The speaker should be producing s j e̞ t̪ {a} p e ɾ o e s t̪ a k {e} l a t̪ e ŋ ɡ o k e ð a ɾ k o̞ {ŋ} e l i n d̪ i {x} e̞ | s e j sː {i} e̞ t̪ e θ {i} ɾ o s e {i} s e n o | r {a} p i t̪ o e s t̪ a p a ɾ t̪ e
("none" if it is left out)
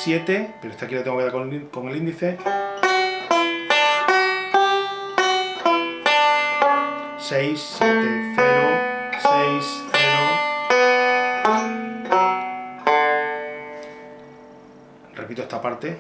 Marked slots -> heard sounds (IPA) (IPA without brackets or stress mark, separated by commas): e, i, ŋ, θ, j, e, j, e